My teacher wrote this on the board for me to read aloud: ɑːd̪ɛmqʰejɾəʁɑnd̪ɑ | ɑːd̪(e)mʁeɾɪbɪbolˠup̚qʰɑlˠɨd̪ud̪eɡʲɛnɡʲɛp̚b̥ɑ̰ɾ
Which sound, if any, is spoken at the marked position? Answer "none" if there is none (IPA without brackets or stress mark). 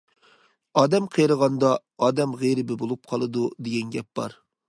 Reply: ɛ